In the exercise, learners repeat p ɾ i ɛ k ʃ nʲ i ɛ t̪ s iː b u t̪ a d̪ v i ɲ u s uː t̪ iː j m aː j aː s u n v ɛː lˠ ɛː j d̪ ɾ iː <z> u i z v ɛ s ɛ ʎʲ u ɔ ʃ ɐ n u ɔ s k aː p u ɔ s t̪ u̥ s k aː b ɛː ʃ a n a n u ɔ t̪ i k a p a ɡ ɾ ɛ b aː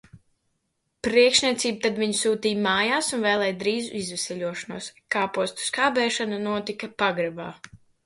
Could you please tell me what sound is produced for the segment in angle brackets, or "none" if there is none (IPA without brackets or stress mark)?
z